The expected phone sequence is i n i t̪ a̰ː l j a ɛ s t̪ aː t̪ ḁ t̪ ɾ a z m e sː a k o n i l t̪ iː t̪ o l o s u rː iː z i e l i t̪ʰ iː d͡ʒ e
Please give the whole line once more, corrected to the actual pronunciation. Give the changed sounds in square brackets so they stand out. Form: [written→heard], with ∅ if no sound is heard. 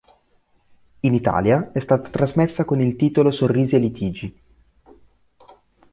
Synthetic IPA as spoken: i n i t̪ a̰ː l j a ɛ s t̪ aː t̪ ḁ t̪ ɾ a z m e sː a k o n i l t̪ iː t̪ o l o s [u→o] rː iː z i e l i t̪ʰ iː d͡ʒ [e→i]